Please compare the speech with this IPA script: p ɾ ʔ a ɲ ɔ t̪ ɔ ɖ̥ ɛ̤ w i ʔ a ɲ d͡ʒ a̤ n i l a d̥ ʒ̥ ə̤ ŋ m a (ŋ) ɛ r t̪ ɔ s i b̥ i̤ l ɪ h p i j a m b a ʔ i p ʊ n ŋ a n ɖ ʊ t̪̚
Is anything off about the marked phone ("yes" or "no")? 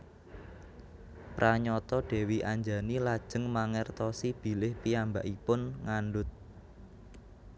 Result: no